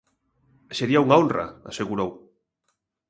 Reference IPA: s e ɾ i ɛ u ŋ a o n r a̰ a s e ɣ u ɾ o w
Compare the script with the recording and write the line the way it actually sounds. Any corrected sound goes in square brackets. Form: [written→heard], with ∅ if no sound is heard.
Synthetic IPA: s e ɾ i [ɛ→a] u ŋ a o n r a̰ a s e ɣ u ɾ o w

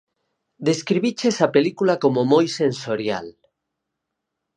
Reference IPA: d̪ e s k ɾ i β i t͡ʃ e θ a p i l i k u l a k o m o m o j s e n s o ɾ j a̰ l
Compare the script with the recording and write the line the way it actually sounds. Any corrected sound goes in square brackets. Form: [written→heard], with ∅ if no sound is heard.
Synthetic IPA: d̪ e s k ɾ i β i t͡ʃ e [θ→s] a p [i→e] l i k u l a k o m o m o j s e n s o ɾ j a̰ l

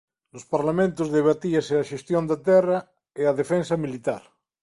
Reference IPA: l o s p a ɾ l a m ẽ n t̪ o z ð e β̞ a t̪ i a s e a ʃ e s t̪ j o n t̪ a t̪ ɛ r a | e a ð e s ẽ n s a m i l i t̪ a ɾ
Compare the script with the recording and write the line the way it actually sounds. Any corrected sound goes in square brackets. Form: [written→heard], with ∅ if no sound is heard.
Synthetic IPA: l o s p a ɾ l a m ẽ n t̪ o z ð e β̞ a t̪ i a s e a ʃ e s t̪ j o n [t̪→d̪] a t̪ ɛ r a | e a ð e [s→f] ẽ n s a m i l i t̪ a ɾ

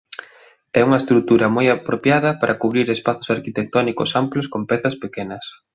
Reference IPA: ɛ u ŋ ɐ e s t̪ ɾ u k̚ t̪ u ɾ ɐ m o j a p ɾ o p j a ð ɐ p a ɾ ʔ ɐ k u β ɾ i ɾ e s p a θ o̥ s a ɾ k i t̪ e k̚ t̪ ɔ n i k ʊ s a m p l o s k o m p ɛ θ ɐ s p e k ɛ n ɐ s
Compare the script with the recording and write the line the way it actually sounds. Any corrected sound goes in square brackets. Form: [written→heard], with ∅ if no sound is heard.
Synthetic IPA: ɛ u ŋ ɐ e s t̪ ɾ u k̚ t̪ u ɾ ɐ m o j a p ɾ o p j a ð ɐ p a ɾ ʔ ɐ k u β ɾ i ɾ e s p a θ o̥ s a ɾ k i t̪ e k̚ t̪ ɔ n i k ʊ s a m p l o s k o m p ɛ θ ɐ s p e k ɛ n ɐ s

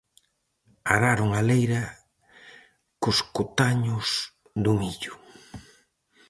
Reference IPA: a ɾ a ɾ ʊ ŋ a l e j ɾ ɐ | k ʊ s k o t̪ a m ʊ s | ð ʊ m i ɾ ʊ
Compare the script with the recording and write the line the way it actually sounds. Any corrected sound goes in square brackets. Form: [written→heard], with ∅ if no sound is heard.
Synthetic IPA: a ɾ a ɾ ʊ ŋ a l e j ɾ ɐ | k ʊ s k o t̪ a [m→ɲ] ʊ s | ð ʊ m i [ɾ→ʎ] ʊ

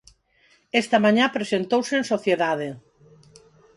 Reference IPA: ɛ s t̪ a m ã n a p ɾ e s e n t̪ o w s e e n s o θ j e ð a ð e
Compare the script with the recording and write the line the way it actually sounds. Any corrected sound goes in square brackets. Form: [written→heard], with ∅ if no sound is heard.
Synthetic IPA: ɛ s t̪ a m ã [n→ɲ] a p ɾ e s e n t̪ o w s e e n s o θ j e ð a ð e

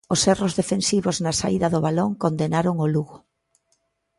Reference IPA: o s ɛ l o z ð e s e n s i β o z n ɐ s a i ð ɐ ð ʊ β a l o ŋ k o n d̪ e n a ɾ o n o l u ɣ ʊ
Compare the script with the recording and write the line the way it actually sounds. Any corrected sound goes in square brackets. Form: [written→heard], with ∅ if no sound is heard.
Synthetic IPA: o s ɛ [l→r] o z ð e [s→f] e n s i β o z n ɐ s a i ð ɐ ð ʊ β a l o ŋ k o n d̪ e n a ɾ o [n→ŋ] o l u ɣ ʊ

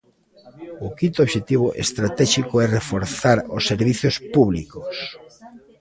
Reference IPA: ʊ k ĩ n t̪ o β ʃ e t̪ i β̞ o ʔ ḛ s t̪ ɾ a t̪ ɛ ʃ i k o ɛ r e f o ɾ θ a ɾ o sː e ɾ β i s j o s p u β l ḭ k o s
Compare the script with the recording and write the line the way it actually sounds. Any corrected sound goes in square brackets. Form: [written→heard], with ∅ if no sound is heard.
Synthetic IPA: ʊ k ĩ n t̪ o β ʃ e t̪ i β̞ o ʔ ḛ s t̪ ɾ a t̪ ɛ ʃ i k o ɛ r e f o ɾ θ a ɾ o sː e ɾ β i [s→θ] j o s p u β l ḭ k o s

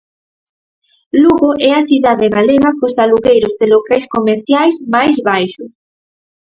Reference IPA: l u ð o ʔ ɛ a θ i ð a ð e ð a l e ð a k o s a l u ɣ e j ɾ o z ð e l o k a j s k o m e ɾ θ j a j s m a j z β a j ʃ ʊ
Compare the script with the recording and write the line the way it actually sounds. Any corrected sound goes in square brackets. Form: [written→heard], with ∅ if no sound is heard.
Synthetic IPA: l u [ð→ɣ] o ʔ ɛ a θ i ð a ð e [ð→ɣ] a l e [ð→ɣ] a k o s a l u ɣ e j ɾ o z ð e l o k a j s k o m e ɾ θ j a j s m a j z β a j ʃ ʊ

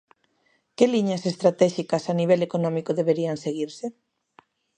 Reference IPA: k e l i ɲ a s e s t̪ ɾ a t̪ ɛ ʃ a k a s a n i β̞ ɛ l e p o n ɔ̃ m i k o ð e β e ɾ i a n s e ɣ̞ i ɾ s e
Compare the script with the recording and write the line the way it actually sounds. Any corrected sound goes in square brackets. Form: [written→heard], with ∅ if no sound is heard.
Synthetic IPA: k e l i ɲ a s e s t̪ ɾ a t̪ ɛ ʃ [a→i] k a s a n i β̞ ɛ l e [p→k] o n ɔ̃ m i k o ð e β e ɾ i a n s e ɣ̞ i ɾ s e

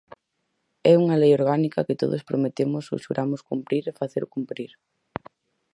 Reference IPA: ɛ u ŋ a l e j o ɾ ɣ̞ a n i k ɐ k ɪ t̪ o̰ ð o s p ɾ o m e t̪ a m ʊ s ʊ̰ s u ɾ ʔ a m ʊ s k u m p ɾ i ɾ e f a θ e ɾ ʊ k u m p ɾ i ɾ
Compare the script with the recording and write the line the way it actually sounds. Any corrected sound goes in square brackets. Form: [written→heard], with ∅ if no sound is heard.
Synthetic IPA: ɛ u ŋ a l e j o ɾ ɣ̞ a n i k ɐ k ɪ t̪ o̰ ð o s p ɾ o m e t̪ [a→e] m ʊ s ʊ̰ [s→ʃ] u ɾ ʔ a m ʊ s k u m p ɾ i ɾ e f a θ e ɾ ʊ k u m p ɾ i ɾ

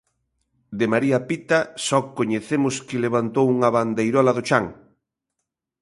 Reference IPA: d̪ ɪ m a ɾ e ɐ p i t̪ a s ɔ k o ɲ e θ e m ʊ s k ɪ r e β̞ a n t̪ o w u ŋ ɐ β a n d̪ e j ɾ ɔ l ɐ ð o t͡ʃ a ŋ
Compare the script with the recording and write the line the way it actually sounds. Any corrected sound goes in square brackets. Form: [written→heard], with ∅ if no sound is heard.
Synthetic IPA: d̪ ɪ m a ɾ [e→i] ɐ p i t̪ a s ɔ k o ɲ e θ e m ʊ s k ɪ [r→l] e β̞ a n t̪ o w u ŋ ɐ β a n d̪ e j ɾ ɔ l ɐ ð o t͡ʃ a ŋ

